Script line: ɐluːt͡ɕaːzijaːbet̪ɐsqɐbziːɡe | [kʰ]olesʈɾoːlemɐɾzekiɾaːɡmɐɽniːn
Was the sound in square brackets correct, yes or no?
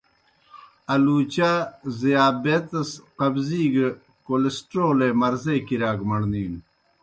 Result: no